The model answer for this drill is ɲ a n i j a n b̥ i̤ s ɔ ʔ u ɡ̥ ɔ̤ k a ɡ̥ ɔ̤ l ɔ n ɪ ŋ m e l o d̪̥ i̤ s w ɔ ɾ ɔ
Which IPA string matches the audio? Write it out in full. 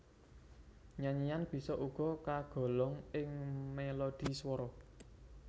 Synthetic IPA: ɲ a ɲ i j a n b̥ i̤ s ɔ ʔ u ɡ̥ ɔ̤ k a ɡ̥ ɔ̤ l ɔ ŋ ɪ ŋ m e l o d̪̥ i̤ s w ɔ ɾ ɔ